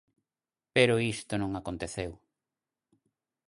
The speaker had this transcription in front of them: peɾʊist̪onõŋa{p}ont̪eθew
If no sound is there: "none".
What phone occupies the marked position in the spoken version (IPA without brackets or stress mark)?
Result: k